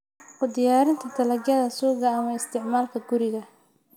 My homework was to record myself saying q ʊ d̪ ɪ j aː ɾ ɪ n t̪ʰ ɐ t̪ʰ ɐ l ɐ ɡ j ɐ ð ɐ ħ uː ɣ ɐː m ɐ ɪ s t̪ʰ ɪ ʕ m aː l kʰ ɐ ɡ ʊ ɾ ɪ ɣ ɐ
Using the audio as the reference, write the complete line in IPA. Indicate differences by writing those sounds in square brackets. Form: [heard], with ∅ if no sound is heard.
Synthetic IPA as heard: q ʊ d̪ ɪ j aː ɾ ɪ n t̪ʰ ɐ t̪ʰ ɐ l ɐ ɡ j ɐ ð ɐ [s] uː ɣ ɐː m ɐ ɪ s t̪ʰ ɪ ʕ m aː l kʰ ɐ ɡ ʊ ɾ ɪ ɣ ɐ